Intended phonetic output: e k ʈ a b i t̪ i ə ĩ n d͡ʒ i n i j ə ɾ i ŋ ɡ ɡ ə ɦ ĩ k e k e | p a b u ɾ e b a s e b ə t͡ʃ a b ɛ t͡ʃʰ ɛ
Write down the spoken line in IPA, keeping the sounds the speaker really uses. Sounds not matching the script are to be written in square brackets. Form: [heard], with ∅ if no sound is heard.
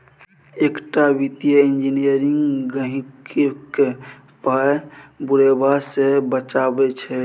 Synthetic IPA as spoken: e k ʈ a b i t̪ [j] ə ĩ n d͡ʒ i n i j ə ɾ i ŋ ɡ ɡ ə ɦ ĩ k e k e | p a b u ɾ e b a s e b ə t͡ʃ a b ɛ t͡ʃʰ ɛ